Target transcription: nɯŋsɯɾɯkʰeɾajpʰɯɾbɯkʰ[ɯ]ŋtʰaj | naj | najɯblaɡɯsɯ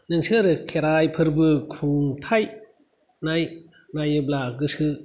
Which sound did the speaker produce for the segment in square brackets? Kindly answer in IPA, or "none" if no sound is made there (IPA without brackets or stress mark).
u